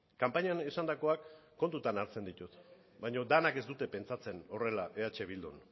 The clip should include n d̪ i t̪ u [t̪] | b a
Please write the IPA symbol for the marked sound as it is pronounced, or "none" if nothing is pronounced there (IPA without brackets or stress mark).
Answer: t̪